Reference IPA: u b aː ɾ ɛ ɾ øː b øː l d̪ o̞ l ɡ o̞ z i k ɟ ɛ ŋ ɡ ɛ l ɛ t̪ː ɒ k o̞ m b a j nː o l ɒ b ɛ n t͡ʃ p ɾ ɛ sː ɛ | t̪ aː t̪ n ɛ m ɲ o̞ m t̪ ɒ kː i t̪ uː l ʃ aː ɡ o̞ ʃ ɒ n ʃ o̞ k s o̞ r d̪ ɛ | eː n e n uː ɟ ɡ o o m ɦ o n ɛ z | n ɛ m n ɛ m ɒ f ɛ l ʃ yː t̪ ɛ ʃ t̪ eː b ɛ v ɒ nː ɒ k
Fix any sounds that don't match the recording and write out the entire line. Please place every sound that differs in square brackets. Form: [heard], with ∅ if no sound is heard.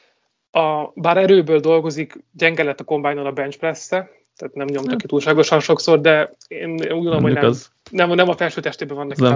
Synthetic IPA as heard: [ɒ] b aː ɾ ɛ ɾ øː b øː l d̪ o̞ l ɡ o̞ z i k ɟ ɛ ŋ ɡ ɛ l ɛ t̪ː ɒ k o̞ m b a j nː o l ɒ b ɛ n t͡ʃ p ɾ ɛ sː ɛ | t̪ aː t̪ n ɛ m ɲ o̞ m t̪ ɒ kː i t̪ uː l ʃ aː ɡ o̞ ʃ ɒ n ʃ o̞ k s o̞ r d̪ ɛ | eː n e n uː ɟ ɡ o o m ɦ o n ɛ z | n ɛ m n ɛ m ɒ f ɛ l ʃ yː t̪ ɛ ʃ t̪ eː b ɛ v ɒ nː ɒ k